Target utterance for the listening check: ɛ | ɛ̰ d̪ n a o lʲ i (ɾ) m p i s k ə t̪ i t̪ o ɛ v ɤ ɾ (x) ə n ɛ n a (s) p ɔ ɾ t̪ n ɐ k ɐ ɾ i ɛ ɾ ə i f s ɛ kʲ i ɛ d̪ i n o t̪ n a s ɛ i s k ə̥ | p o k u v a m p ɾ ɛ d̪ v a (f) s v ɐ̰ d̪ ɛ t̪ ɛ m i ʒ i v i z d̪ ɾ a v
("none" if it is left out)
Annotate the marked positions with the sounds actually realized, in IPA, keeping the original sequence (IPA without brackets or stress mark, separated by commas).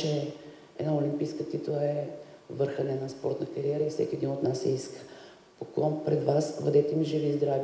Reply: none, x, s, none